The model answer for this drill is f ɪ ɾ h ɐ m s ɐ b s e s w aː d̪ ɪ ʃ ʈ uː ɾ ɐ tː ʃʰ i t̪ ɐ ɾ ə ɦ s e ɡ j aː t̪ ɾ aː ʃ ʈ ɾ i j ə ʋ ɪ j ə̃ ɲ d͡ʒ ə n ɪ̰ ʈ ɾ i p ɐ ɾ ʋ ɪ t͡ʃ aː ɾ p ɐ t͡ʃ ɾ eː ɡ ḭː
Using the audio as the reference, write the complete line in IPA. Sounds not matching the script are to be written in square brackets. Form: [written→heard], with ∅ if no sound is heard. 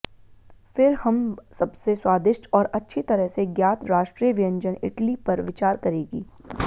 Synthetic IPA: f ɪ ɾ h ɐ m s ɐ b s e s w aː d̪ ɪ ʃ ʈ [uː→ɔː] ɾ ɐ tː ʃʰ i t̪ ɐ ɾ ə ɦ s e ɡ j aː t̪ ɾ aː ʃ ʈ ɾ i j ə ʋ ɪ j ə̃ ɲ d͡ʒ ə n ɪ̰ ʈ [ɾ→l] i p ɐ ɾ ʋ ɪ t͡ʃ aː ɾ [p→k] ɐ [t͡ʃ→∅] ɾ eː ɡ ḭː